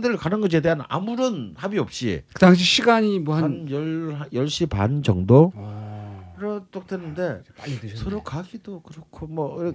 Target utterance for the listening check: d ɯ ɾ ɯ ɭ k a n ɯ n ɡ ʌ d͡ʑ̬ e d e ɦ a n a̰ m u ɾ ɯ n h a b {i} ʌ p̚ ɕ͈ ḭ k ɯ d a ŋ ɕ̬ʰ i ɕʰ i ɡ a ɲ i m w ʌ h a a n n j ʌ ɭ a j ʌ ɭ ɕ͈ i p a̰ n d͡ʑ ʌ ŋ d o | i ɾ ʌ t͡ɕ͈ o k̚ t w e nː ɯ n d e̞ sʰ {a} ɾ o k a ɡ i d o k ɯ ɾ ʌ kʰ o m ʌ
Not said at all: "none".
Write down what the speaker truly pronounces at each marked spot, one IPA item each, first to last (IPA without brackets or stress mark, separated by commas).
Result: i, ʌ